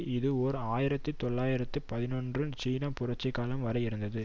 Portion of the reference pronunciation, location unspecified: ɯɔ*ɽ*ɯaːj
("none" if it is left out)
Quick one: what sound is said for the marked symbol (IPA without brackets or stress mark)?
ɾ